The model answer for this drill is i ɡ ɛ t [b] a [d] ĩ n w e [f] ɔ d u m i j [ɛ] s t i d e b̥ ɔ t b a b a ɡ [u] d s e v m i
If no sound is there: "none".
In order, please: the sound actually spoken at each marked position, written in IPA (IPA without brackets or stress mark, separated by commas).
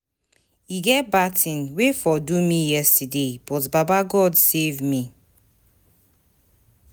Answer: b, t, f, ɛ, ɔ